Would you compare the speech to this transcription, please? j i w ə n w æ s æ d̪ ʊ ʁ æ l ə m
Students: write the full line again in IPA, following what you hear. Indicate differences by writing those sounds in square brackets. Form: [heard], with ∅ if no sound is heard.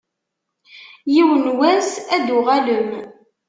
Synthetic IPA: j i w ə n w æ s æ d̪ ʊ ʁ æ l ə m

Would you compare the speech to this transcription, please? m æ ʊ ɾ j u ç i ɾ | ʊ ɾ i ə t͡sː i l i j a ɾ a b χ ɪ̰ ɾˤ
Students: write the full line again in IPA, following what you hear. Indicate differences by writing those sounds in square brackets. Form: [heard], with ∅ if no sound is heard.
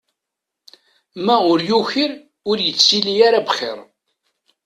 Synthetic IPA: m æ ʊ ɾ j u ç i ɾ | ʊ ɾ [j] ə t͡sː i l i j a ɾ a b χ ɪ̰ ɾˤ

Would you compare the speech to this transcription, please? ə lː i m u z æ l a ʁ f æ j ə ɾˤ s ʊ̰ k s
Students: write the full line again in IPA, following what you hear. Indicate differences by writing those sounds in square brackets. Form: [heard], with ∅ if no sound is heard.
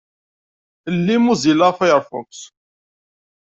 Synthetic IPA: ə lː i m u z [i] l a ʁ f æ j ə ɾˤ [f] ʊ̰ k s

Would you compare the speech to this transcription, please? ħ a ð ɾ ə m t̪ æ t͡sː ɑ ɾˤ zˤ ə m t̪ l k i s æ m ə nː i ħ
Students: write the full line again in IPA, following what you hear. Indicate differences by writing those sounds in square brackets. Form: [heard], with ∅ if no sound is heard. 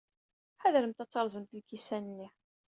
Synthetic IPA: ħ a ð ɾ ə m t̪ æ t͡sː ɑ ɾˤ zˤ ə m t̪ l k i s æ [n] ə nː i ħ

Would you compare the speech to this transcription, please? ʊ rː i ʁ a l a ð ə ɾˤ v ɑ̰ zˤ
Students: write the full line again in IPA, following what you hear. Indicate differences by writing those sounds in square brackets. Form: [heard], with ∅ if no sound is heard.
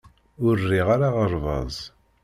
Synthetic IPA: ʊ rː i ʁ a [ɾ] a [ʁ] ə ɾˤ v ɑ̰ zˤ

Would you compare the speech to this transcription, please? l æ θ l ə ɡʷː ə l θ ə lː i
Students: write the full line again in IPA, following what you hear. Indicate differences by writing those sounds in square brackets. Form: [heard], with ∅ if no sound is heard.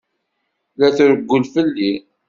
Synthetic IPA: l æ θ [ɾ] ə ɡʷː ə l [f] ə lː i

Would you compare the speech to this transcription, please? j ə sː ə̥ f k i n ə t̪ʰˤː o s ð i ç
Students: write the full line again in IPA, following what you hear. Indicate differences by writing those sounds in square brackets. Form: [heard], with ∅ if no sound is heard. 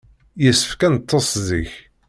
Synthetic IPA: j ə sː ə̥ f k [æ] n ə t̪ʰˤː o s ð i ç

